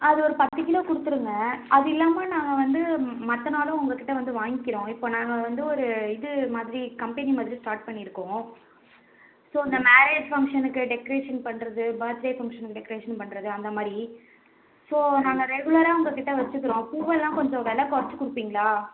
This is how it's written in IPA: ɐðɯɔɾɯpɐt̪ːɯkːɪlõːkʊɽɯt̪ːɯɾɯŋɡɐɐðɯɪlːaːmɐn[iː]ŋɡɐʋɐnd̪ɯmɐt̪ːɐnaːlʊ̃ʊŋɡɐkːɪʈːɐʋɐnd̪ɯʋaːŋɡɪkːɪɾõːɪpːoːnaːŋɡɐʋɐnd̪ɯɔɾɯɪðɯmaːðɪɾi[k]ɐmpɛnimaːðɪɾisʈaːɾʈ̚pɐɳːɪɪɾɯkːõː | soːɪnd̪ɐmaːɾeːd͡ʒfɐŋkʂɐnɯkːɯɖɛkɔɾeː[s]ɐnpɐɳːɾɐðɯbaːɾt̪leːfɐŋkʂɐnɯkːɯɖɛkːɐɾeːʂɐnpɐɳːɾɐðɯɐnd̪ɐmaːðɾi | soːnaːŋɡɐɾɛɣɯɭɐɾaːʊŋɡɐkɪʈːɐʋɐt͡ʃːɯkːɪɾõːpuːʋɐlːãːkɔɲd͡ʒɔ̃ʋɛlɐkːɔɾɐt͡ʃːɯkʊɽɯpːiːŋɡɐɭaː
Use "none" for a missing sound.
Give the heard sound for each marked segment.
aː, k, ʂ

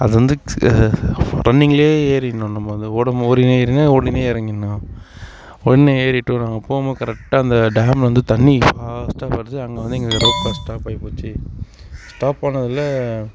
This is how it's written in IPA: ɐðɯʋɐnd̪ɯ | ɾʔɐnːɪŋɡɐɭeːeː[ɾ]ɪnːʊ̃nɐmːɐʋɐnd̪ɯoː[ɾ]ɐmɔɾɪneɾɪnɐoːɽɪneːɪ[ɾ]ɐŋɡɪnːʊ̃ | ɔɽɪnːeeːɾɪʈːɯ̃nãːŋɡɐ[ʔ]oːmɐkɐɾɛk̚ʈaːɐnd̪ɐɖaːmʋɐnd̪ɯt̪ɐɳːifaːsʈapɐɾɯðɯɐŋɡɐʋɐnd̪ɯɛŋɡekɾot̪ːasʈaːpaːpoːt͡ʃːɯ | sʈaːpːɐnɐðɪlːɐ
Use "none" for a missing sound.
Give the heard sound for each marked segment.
ɾ, ɽ, ɾ, p

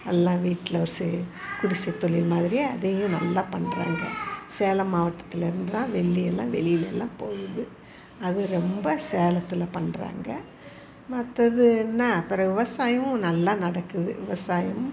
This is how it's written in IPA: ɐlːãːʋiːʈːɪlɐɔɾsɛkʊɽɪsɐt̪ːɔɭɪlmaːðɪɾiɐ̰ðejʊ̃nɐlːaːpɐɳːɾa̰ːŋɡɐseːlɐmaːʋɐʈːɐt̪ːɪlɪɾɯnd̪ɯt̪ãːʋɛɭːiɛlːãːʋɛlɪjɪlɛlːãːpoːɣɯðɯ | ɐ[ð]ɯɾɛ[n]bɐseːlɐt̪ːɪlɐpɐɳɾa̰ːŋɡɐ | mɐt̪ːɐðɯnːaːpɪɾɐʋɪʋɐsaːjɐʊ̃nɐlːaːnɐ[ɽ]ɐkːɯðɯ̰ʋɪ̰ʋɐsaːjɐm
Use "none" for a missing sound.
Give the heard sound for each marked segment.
ð, m, ɽ

